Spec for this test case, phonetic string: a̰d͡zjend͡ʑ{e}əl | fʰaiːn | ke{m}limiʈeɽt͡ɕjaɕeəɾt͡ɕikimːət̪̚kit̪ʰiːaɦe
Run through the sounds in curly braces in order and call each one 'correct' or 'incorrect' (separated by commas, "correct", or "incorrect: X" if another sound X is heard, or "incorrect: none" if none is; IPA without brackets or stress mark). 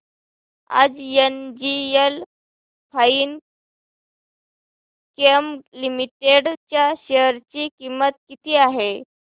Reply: incorrect: i, correct